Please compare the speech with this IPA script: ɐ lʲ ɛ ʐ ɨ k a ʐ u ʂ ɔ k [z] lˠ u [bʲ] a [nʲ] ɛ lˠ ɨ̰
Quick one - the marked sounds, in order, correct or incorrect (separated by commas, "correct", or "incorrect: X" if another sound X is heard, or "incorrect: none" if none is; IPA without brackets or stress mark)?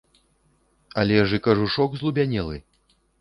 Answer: correct, correct, correct